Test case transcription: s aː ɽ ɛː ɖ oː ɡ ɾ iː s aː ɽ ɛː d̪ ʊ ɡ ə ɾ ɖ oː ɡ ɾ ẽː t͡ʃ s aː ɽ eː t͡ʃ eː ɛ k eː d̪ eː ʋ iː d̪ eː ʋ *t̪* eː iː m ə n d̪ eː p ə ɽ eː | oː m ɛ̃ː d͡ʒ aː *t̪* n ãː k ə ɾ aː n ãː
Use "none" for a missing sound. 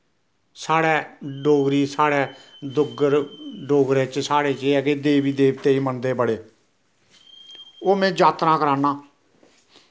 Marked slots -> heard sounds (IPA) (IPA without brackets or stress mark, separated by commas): t̪, t̪